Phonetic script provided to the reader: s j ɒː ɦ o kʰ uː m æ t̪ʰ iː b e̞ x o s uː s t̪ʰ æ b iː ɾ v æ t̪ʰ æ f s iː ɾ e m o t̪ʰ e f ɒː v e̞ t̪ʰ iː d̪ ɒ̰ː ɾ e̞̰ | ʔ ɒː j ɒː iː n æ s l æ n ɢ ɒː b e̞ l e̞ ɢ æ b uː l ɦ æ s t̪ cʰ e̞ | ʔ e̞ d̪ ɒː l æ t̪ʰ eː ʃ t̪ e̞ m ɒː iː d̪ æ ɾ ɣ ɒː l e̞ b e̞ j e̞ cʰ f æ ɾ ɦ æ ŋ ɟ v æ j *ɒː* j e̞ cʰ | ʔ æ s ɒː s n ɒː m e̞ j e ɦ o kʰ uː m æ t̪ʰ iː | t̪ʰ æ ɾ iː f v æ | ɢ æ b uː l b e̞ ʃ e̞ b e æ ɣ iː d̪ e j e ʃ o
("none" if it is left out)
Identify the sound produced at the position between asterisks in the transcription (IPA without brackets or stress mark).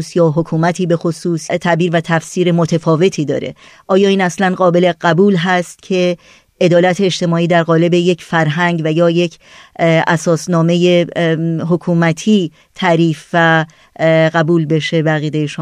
ɒː